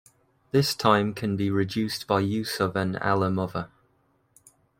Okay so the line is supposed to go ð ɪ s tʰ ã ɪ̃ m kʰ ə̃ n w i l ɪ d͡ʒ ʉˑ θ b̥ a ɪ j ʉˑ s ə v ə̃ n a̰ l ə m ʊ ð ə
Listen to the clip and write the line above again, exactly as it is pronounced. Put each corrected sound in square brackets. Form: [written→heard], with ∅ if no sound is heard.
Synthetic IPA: ð ɪ s tʰ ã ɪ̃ m kʰ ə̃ n [w→b] i [l→ɹ] ɪ d͡ʒ ʉˑ [θ→s] b̥ a ɪ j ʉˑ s ə v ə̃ n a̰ l ə m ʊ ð ə